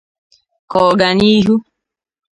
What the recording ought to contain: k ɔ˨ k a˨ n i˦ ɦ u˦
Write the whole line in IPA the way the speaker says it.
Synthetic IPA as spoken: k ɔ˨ ɡ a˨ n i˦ ɦ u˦